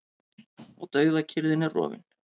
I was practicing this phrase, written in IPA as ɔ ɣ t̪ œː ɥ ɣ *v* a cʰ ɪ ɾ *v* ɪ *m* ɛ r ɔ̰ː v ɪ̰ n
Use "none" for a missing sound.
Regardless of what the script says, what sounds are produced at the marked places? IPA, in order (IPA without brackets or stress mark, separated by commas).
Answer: ð, ð, n